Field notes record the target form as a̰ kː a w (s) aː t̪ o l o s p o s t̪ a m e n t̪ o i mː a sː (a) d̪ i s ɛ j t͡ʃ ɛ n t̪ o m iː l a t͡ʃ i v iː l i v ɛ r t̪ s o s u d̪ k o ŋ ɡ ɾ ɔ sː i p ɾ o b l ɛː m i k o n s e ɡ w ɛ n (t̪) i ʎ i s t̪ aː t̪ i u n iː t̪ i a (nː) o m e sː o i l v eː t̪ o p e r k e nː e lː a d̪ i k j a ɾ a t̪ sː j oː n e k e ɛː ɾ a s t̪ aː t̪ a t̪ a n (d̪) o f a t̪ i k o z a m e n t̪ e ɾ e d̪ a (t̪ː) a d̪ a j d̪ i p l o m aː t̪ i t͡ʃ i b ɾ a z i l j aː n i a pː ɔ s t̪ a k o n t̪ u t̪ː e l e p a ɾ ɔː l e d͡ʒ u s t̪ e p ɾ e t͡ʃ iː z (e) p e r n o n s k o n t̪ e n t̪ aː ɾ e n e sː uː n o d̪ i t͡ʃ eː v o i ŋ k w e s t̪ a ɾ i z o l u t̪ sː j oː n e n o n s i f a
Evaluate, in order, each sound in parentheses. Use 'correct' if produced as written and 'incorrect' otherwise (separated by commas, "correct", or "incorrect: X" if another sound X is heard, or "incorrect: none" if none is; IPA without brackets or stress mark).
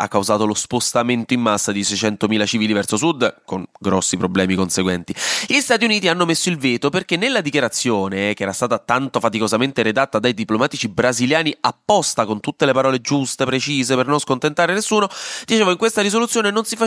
incorrect: z, correct, correct, correct, incorrect: t̪, correct, correct